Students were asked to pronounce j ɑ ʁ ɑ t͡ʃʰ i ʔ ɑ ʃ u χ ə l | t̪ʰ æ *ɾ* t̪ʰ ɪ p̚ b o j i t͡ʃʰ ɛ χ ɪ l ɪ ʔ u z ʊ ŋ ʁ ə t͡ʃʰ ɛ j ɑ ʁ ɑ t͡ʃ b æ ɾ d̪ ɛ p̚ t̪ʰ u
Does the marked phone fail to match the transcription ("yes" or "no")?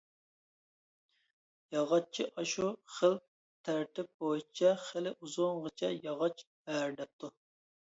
no